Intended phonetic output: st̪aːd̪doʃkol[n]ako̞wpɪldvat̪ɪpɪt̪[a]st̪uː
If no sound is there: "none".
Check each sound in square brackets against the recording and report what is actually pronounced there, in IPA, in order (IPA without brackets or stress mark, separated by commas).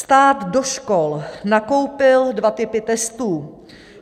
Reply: n, ɛ